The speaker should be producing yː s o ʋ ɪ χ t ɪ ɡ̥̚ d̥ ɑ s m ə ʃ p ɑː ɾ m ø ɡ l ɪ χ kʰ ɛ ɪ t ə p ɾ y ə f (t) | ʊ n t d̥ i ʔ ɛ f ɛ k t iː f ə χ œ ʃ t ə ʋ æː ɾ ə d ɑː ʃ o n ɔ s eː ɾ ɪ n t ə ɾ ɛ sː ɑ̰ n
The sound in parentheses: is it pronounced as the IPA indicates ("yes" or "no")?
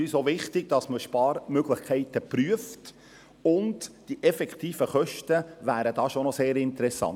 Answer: yes